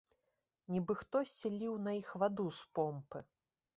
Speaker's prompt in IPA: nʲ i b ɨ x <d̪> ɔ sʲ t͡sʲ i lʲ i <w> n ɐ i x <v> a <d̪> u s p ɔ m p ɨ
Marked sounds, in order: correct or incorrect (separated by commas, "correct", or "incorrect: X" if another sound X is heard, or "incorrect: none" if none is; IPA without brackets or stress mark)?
incorrect: t̪, correct, correct, correct